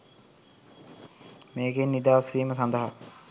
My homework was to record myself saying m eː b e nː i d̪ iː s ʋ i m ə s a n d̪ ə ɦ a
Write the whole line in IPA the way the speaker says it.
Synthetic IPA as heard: m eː ɡ e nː i d̪ aː s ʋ iː m ə s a n d̪ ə ɦ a